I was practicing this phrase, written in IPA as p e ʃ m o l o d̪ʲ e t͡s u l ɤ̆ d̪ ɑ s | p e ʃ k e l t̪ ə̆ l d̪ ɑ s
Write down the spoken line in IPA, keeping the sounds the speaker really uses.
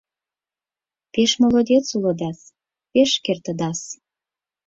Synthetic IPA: p e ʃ m o l o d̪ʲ e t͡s u l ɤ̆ d̪ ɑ s | p e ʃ k e r t̪ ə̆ d̪ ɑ s